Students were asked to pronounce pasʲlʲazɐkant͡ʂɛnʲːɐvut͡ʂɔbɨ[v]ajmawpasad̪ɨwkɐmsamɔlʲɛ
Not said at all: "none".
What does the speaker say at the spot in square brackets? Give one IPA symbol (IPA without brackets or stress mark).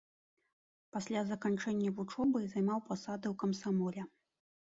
z